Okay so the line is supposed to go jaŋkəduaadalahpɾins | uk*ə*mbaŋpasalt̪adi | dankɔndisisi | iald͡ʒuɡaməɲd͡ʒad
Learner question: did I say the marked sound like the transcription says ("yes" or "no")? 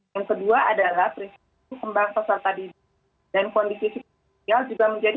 yes